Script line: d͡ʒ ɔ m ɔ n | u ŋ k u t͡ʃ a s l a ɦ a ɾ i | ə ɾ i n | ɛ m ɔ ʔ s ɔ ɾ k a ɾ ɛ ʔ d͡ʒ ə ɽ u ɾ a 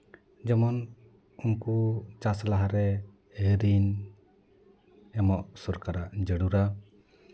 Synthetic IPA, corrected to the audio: d͡ʒ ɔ m ɔ n | u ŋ k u t͡ʃ a s l a ɦ a ɾ ɛ | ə ɾ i n | ɛ m ɔ ʔ s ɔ ɾ k a ɾ a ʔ d͡ʒ ə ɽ u ɾ a